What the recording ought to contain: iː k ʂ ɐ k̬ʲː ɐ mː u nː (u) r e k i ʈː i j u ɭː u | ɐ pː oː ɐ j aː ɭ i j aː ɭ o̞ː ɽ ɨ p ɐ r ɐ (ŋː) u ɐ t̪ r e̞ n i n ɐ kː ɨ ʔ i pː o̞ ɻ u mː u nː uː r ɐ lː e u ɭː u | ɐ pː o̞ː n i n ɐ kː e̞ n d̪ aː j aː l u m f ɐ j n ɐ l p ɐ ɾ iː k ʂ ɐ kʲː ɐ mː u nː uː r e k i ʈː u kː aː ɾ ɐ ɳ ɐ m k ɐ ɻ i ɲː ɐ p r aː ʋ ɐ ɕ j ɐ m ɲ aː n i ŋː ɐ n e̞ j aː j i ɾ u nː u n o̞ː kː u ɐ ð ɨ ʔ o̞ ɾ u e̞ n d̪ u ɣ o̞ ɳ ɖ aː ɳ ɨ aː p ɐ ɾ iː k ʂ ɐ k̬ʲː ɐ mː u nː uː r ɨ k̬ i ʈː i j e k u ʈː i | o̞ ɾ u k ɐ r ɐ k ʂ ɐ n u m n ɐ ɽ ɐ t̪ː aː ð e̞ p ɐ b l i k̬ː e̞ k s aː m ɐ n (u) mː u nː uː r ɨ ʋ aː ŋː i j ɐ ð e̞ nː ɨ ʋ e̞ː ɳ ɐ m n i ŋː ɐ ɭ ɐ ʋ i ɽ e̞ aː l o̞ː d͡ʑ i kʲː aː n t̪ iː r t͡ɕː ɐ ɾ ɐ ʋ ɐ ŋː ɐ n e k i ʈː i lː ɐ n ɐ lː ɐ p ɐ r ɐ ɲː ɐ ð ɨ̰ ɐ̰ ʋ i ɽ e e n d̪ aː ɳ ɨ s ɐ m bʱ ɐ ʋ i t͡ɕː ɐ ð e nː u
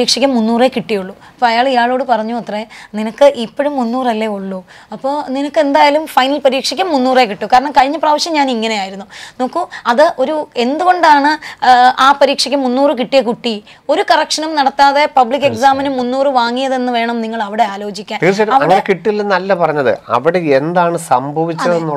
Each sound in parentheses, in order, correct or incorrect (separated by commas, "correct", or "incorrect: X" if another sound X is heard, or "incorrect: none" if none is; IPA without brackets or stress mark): incorrect: uː, incorrect: ɲː, correct